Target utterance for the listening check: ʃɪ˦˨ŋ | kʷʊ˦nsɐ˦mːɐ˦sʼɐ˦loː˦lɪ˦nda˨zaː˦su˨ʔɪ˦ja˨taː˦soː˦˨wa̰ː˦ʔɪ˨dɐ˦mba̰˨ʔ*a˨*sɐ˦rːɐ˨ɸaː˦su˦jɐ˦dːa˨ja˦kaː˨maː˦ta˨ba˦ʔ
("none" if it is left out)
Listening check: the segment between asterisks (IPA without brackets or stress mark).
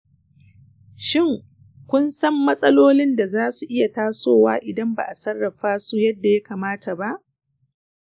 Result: a˨